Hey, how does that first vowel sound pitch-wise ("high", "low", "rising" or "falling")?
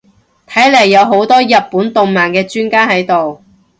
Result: rising